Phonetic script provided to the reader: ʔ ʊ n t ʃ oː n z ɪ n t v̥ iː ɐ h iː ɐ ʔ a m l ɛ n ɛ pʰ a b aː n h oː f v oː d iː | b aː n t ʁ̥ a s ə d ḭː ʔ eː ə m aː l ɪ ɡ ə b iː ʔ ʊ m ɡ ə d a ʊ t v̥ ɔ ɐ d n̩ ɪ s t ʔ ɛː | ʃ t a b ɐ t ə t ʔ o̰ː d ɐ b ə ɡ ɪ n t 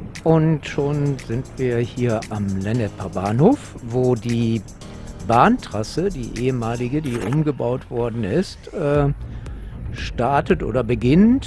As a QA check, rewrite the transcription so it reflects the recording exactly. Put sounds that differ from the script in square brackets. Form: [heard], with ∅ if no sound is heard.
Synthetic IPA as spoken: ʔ ʊ n t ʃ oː n z ɪ n t v̥ iː ɐ h iː ɐ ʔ a m l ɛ n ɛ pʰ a b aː n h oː f v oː d iː | b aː n t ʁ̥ a s ə d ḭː ʔ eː ə m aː l ɪ ɡ ə [d] iː ʔ ʊ m ɡ ə [b] a ʊ t v̥ ɔ ɐ d n̩ ɪ s t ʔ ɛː | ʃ t a [∅] ɐ t ə t ʔ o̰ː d ɐ b ə ɡ ɪ n t